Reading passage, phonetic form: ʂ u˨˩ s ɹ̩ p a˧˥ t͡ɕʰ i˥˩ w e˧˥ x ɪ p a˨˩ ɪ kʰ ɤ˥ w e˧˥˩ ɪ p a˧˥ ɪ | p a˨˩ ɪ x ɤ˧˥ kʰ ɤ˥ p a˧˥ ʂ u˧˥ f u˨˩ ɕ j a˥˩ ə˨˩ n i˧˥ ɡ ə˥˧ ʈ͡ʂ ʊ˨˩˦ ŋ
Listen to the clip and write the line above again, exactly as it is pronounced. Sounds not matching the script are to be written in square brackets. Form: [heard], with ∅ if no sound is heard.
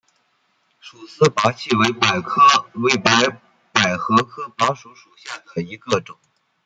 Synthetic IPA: ʂ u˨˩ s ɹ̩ p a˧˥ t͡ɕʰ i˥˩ w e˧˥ [∅] ɪ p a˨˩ ɪ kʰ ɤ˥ w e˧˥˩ ɪ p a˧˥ ɪ | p a˨˩ ɪ x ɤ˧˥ kʰ ɤ˥ p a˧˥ ʂ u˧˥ [ʂ] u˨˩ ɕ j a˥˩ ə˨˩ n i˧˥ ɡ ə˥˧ ʈ͡ʂ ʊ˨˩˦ ŋ